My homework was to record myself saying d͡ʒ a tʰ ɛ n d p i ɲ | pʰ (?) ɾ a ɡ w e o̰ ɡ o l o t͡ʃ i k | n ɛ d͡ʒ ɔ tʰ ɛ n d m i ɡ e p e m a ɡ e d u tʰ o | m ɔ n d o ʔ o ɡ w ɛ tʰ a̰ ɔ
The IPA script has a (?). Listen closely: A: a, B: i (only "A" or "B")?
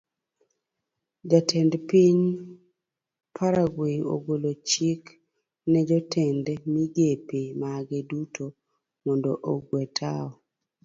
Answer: A